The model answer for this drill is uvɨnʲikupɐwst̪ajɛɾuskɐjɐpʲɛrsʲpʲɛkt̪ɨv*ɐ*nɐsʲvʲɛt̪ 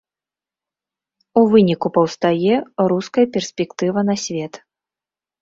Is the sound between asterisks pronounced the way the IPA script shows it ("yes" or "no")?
yes